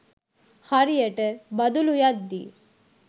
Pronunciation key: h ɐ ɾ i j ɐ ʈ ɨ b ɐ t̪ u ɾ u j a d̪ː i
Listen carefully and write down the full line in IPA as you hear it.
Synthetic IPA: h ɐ ɾ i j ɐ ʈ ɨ b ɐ d̪ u l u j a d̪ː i